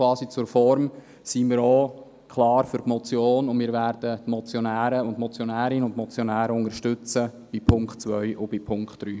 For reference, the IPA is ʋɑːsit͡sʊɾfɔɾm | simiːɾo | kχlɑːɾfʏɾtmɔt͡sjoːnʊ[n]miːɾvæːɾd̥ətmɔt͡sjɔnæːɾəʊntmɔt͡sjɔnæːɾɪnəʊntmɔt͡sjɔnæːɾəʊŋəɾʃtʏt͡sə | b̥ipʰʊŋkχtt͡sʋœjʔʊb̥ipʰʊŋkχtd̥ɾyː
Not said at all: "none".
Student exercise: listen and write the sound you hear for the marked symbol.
n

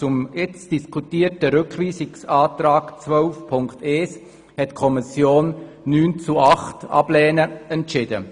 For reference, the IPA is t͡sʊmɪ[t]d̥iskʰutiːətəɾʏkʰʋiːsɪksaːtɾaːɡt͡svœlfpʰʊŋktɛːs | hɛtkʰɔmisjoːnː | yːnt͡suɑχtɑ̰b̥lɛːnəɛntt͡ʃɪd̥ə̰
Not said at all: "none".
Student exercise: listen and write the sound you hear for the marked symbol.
t͡s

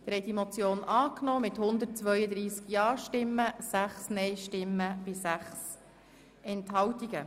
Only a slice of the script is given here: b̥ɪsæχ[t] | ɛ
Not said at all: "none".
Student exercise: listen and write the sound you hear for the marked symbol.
s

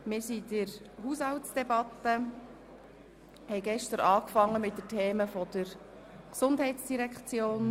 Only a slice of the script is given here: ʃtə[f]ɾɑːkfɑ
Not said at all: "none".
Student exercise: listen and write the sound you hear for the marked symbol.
none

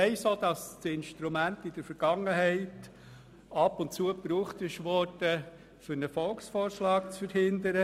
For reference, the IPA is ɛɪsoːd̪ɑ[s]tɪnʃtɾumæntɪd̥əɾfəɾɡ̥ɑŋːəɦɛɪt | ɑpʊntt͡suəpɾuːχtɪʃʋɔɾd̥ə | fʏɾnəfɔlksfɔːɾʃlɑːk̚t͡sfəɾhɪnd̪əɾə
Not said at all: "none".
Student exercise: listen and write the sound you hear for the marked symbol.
s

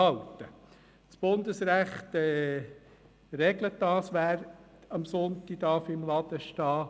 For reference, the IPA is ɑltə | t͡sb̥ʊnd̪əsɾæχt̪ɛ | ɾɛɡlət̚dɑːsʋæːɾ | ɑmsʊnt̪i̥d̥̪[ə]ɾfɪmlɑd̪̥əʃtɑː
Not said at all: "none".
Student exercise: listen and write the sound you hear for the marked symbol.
ɑ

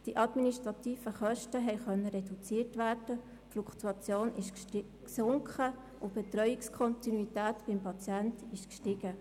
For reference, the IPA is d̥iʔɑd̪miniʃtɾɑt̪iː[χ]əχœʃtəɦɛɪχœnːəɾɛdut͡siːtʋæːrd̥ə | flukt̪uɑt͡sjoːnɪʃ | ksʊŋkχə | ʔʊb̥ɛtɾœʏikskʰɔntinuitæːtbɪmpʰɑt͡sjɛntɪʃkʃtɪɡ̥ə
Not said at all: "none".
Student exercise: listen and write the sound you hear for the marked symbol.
f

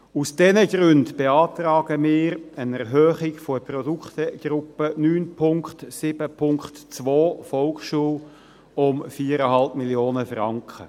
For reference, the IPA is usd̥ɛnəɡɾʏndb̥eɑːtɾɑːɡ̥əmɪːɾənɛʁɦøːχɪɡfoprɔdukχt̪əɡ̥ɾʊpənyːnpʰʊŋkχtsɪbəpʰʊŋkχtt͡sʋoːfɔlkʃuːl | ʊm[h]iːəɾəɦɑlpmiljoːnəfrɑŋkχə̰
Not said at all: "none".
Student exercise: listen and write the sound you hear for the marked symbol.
f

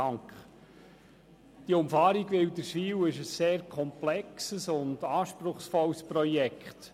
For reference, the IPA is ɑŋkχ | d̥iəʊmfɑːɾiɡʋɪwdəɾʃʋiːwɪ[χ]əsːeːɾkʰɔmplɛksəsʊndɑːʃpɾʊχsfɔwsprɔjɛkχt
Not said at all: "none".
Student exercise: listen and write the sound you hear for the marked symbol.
ʃ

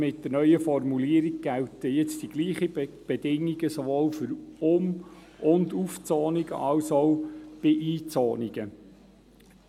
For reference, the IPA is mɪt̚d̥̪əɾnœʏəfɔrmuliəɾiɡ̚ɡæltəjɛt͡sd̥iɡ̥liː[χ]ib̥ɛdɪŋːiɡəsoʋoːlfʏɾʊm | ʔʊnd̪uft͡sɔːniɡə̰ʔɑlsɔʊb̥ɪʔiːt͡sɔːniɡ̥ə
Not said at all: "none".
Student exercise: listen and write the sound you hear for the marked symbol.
χ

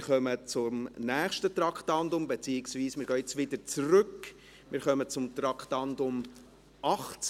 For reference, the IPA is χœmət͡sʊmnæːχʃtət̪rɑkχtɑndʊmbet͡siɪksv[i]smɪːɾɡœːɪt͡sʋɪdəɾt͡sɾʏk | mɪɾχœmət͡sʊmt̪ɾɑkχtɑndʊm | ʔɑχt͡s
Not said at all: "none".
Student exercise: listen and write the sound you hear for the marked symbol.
iː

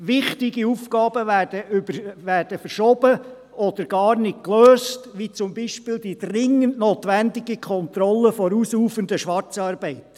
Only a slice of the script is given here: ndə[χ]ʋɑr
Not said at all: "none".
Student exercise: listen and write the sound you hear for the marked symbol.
ʃ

